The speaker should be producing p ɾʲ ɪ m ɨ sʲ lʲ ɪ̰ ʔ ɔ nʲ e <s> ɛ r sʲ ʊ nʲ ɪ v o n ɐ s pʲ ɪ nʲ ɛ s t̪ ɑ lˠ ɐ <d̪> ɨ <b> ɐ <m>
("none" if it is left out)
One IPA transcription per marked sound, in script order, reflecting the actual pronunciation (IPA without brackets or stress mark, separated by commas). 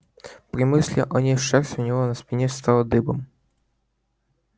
ʂ, d̪, b, m